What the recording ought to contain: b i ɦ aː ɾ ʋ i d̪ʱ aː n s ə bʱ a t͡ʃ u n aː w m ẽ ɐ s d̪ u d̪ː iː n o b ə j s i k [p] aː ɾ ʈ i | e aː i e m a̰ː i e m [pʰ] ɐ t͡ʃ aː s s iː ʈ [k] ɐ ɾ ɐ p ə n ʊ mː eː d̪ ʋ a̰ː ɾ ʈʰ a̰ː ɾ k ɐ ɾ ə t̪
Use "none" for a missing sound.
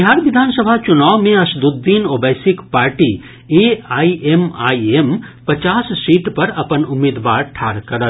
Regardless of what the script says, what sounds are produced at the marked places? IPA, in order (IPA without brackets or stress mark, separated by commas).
p, p, p